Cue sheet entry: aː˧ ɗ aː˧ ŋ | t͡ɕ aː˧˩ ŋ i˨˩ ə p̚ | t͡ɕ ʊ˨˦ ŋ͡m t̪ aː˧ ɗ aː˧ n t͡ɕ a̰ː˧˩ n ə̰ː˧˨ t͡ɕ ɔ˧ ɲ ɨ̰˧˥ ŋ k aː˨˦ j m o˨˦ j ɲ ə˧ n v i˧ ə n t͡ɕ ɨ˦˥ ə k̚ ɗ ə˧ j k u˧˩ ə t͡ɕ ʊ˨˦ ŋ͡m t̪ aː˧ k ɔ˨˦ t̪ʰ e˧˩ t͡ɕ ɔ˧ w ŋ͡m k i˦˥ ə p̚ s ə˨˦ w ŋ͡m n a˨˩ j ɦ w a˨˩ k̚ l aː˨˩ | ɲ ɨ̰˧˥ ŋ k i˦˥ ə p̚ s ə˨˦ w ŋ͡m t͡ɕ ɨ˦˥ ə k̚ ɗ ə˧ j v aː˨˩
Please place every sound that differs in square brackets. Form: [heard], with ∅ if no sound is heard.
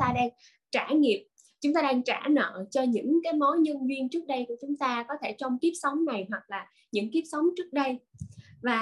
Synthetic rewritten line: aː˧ ɗ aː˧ ŋ | t͡ɕ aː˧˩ ŋ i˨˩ ə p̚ | t͡ɕ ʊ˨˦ ŋ͡m t̪ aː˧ ɗ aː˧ [ŋ] t͡ɕ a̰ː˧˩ n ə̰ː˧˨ t͡ɕ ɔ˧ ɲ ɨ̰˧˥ ŋ k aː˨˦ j m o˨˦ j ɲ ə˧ n v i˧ ə n t͡ɕ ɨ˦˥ ə k̚ ɗ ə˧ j k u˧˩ ə t͡ɕ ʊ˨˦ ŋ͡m t̪ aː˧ k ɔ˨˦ t̪ʰ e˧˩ t͡ɕ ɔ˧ w ŋ͡m k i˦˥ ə p̚ s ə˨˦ w ŋ͡m n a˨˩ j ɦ w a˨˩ k̚ l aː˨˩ | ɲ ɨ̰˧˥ ŋ k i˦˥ ə p̚ s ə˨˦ w ŋ͡m t͡ɕ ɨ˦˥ ə k̚ ɗ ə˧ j v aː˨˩